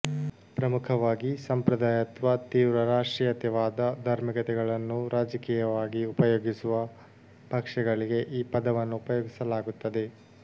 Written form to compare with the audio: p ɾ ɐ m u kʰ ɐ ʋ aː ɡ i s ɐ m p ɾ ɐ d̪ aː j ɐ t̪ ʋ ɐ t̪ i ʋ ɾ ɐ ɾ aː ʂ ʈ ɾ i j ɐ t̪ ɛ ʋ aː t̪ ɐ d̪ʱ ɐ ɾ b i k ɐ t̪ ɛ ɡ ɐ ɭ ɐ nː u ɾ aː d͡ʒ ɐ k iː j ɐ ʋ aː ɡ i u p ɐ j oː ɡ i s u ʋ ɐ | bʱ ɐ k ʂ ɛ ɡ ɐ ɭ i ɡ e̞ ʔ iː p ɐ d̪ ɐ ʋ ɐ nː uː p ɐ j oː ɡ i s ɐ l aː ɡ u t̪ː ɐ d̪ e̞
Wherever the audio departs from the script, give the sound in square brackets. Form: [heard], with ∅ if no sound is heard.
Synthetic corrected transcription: p ɾ ɐ m u kʰ ɐ ʋ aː ɡ i s ɐ m p ɾ ɐ d̪ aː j ɐ t̪ ʋ ɐ t̪ [iː] ʋ ɾ ɐ ɾ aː ʂ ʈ ɾ i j ɐ t̪ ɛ ʋ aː [d̪] ɐ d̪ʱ ɐ ɾ [m] i k ɐ t̪ ɛ ɡ ɐ ɭ ɐ nː u ɾ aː d͡ʒ ɐ k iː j ɐ ʋ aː ɡ i u p ɐ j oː ɡ i s u ʋ ɐ | bʱ ɐ k ʂ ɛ ɡ ɐ ɭ i ɡ e̞ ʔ iː p ɐ d̪ ɐ ʋ ɐ nː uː p ɐ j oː ɡ i s ɐ l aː ɡ u t̪ː ɐ d̪ e̞

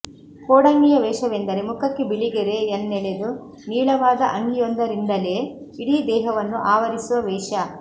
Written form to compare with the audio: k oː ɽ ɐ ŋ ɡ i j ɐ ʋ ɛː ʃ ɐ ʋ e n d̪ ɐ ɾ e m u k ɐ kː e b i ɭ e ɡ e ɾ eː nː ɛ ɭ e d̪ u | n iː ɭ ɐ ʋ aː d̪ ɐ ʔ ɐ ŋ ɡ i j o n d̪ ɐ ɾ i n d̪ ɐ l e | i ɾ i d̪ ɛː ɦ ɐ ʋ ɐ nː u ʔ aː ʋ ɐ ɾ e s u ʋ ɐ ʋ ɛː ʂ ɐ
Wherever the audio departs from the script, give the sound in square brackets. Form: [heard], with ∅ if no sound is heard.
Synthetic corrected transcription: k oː ɽ ɐ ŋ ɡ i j ɐ ʋ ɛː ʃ ɐ ʋ e n d̪ ɐ ɾ e m u k ɐ kː e b i ɭ [i] ɡ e ɾ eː nː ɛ ɭ e d̪ u | n iː ɭ ɐ ʋ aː d̪ ɐ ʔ ɐ ŋ ɡ i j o n d̪ ɐ ɾ i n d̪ ɐ l e | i [ɽ] i d̪ ɛː ɦ ɐ ʋ ɐ nː u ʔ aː ʋ ɐ ɾ [i] s u ʋ ɐ ʋ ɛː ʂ ɐ

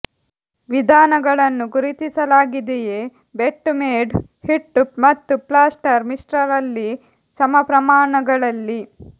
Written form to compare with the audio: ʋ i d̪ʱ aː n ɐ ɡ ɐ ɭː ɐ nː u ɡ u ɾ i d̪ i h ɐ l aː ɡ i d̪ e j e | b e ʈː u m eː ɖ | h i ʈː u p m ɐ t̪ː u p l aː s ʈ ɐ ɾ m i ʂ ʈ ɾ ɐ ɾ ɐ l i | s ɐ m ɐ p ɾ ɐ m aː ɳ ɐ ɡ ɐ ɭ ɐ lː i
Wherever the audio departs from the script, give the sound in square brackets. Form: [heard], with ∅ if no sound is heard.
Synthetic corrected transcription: ʋ i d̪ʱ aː n ɐ ɡ ɐ [ɭ] ɐ nː u ɡ u ɾ i [t̪] i [s] ɐ l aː ɡ i d̪ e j e | b e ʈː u m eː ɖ | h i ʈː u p m ɐ t̪ː u p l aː s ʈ ɐ ɾ m i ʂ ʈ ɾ ɐ ɾ ɐ [lː] i | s ɐ m ɐ p ɾ ɐ m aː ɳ ɐ ɡ ɐ ɭ ɐ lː i

